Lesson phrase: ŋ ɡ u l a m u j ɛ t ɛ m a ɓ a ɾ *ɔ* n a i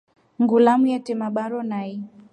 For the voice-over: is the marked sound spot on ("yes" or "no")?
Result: yes